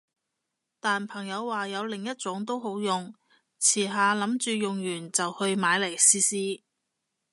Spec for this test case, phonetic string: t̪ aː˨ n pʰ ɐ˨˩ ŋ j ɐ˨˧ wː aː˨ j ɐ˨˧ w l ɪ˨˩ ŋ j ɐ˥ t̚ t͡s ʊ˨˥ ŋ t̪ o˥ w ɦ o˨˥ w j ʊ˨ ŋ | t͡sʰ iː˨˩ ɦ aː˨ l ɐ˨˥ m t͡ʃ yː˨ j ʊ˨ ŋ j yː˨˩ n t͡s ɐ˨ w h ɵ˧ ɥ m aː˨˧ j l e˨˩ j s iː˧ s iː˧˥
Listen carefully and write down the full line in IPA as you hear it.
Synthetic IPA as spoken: t̪ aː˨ n pʰ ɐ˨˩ ŋ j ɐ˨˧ wː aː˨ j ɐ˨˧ w l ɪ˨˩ ŋ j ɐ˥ t̚ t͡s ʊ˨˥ ŋ t̪ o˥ w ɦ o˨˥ w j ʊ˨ ŋ | t͡sʰ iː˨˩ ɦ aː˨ l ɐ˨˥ m t͡ʃ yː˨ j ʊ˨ ŋ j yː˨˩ n t͡s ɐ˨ w h ɵ˧ ɥ m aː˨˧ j l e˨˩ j s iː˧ s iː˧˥